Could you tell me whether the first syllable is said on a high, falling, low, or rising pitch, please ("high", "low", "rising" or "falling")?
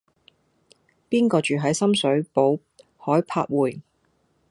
high